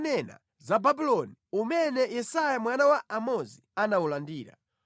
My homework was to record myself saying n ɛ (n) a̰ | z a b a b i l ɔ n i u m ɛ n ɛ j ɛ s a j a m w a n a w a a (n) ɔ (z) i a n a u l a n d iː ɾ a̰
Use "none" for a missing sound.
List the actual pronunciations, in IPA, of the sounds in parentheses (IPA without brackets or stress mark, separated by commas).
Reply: n, m, z